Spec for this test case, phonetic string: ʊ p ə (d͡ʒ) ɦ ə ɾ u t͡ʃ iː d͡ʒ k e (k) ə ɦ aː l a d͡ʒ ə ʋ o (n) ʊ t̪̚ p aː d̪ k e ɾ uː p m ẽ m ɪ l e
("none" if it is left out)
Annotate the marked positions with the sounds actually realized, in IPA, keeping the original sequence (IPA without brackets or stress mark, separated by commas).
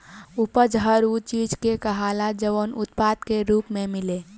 d͡ʒ, k, n